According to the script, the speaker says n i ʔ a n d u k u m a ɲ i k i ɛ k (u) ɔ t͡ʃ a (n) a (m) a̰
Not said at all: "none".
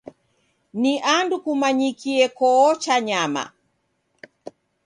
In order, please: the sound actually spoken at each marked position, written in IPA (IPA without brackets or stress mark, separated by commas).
ɔ, ɲ, m